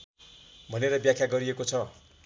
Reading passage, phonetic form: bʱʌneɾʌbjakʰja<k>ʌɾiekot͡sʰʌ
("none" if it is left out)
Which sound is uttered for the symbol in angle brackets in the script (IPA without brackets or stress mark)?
ɡ